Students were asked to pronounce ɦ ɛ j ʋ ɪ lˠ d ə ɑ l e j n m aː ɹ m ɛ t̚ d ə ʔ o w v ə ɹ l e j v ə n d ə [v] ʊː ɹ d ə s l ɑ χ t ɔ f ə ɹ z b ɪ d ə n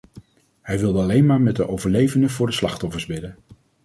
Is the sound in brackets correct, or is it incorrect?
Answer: correct